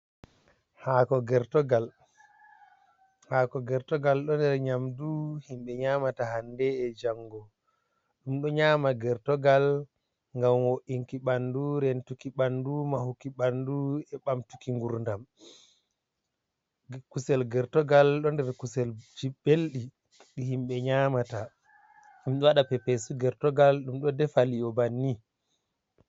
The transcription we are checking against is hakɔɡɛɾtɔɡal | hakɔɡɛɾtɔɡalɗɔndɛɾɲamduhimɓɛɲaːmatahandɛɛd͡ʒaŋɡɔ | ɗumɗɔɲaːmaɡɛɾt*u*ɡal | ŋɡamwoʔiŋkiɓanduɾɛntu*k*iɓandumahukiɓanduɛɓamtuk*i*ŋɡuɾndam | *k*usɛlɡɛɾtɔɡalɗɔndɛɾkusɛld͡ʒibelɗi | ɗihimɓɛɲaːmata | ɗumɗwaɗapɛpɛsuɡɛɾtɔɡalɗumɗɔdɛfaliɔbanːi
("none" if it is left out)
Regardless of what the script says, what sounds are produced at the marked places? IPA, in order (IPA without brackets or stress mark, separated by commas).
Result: ɔ, k, i, k